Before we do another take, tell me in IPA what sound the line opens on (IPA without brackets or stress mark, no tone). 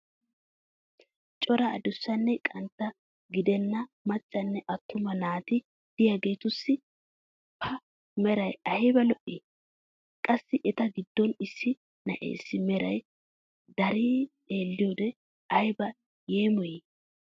t͡ʃʼ